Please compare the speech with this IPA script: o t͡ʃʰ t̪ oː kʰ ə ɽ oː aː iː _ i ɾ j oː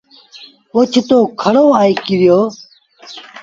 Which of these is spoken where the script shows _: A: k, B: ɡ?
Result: A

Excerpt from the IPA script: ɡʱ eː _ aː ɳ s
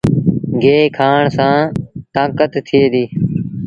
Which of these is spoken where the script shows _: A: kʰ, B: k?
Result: A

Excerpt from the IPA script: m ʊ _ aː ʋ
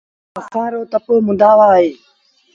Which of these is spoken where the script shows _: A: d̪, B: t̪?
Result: A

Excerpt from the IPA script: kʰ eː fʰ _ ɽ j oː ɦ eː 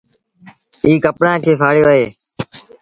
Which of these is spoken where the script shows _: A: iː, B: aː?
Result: B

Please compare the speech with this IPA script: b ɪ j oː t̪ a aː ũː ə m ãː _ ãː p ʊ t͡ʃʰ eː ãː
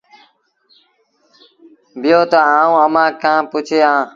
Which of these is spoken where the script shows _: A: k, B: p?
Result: A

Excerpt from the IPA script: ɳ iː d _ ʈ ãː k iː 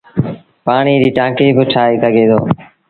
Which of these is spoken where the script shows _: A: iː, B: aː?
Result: A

